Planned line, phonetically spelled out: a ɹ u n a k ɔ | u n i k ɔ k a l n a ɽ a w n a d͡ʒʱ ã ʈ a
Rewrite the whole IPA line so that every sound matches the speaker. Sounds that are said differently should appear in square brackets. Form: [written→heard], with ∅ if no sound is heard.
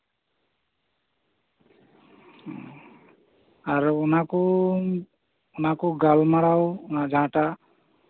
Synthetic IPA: a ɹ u n a k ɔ | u n [i→a] k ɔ [k→ɡ] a l [n→m] a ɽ a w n a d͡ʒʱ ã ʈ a

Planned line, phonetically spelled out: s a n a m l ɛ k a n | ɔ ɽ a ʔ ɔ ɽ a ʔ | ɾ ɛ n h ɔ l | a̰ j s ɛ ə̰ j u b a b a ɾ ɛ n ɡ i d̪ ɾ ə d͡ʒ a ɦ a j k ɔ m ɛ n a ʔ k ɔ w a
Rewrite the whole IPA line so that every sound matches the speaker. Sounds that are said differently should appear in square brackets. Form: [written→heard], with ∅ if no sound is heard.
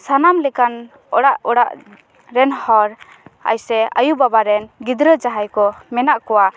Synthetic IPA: s a n a m l ɛ k a n | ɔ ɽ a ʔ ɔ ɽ a ʔ | ɾ ɛ n h ɔ [l→ɾ] | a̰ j s ɛ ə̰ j u b a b a ɾ ɛ n ɡ i d̪ ɾ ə d͡ʒ a ɦ a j k ɔ m ɛ n a ʔ k ɔ w a

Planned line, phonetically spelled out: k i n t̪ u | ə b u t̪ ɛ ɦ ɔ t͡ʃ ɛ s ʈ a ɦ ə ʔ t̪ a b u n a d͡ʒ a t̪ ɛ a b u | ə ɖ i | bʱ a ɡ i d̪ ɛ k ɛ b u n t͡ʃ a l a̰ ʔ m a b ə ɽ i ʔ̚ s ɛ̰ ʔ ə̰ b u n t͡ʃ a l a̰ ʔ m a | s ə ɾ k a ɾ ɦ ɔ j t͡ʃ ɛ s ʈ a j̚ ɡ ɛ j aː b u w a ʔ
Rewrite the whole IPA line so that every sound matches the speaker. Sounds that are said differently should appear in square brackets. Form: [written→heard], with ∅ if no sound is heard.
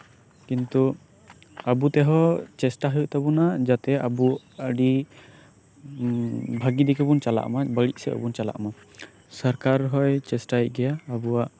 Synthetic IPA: k i n t̪ u | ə b u t̪ ɛ ɦ ɔ t͡ʃ ɛ s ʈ a ɦ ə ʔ t̪ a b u n a d͡ʒ a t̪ ɛ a b u | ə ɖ i | bʱ a ɡ i d̪ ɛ k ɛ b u n t͡ʃ a l a̰ ʔ m a b ə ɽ i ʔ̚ s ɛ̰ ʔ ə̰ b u n t͡ʃ a l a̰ ʔ m a | s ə ɾ k a ɾ ɦ ɔ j t͡ʃ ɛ s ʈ a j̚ ɡ ɛ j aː b u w a ʔ

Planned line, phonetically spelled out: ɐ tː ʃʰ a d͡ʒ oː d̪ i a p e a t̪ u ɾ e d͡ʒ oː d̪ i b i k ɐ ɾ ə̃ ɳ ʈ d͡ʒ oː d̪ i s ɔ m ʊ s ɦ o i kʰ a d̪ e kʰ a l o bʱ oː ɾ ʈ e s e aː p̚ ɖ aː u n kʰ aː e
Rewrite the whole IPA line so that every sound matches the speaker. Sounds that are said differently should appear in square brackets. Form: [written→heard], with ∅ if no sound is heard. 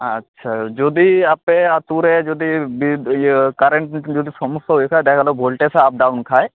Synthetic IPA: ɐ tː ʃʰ a d͡ʒ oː d̪ i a p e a t̪ u ɾ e d͡ʒ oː d̪ i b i k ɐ ɾ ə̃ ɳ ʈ d͡ʒ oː d̪ i s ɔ m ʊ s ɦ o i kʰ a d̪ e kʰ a l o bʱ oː [ɾ→l] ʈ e s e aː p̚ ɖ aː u n kʰ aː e

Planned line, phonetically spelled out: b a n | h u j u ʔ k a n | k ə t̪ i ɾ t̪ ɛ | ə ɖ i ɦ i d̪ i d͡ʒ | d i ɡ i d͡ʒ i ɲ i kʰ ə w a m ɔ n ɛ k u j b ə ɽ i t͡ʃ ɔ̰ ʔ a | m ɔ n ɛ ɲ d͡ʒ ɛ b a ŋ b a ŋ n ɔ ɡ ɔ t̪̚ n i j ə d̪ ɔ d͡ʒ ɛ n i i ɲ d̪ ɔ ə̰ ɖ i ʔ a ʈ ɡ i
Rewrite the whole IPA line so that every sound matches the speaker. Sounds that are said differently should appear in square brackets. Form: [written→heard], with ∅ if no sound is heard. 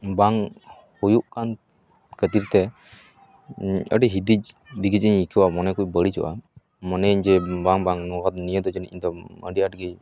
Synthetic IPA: b a [n→ŋ] | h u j u ʔ k a n | k ə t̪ i ɾ t̪ ɛ | ə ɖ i ɦ i d̪ i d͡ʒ | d i ɡ i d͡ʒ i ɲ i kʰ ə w a m ɔ n ɛ k u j b ə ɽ i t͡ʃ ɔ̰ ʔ a | m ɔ n ɛ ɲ d͡ʒ ɛ b a ŋ b a ŋ n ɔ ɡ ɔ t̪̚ n i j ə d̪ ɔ d͡ʒ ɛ n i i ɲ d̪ ɔ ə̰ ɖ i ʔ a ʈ ɡ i

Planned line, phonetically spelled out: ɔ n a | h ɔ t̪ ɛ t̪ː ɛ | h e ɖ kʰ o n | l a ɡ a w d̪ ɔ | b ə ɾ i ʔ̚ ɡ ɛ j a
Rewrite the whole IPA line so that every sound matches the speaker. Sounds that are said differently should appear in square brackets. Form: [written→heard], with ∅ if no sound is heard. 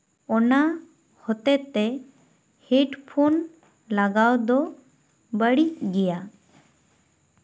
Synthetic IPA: ɔ n a | h ɔ t̪ ɛ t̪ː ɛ | h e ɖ [kʰ→pʰ] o n | l a ɡ a w d̪ ɔ | b ə [ɾ→ɽ] i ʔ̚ ɡ ɛ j a

